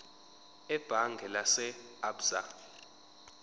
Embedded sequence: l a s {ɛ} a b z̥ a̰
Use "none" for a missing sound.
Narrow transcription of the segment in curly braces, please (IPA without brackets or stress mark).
ɛ